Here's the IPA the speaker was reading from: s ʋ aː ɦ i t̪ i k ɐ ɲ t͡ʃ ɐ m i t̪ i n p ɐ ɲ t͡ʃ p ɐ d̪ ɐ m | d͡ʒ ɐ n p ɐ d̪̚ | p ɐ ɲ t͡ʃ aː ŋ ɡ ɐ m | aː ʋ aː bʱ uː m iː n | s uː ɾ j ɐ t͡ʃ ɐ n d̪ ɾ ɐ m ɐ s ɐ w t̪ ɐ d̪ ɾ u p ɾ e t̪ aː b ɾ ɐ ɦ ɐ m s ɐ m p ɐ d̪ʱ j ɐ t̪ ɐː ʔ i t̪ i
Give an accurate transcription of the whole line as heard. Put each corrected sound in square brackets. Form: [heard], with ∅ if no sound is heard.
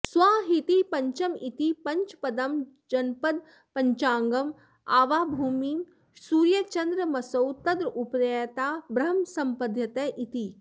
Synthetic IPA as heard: s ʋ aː ɦ i t̪ i [p] ɐ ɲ t͡ʃ ɐ m i t̪ i [∅] p ɐ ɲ t͡ʃ p ɐ d̪ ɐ m | d͡ʒ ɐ n p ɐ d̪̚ | p ɐ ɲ t͡ʃ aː ŋ ɡ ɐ m | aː ʋ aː bʱ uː m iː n | s uː ɾ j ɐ t͡ʃ ɐ n d̪ ɾ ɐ m ɐ s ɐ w t̪ ɐ d̪ ɾ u p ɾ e t̪ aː b ɾ ɐ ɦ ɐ m s ɐ m p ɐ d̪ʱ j ɐ t̪ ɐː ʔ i t̪ i